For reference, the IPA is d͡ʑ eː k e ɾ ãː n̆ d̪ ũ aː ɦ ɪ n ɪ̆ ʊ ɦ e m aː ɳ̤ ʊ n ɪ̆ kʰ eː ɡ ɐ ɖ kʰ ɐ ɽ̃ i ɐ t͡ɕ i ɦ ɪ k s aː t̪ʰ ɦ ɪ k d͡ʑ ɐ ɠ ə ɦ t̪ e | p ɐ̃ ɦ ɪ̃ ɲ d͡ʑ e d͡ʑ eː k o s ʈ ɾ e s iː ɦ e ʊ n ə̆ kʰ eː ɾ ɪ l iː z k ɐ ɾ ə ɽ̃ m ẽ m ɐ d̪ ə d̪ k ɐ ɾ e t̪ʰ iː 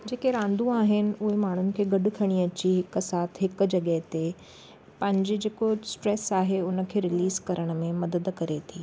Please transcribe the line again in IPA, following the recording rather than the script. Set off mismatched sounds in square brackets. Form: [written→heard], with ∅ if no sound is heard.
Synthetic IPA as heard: d͡ʑ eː k e ɾ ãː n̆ d̪ ũ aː ɦ ɪ n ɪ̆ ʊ ɦ e m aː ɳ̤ ʊ n ɪ̆ kʰ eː ɡ ɐ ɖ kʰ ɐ ɽ̃ i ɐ t͡ɕ i ɦ ɪ k s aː t̪ʰ ɦ ɪ k d͡ʑ ɐ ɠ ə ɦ t̪ e | p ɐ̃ ɦ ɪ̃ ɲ d͡ʑ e d͡ʑ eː k o s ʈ ɾ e s [iː→aː] ɦ e ʊ n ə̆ kʰ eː ɾ ɪ l iː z k ɐ ɾ ə ɽ̃ m ẽ m ɐ d̪ ə d̪ k ɐ ɾ e t̪ʰ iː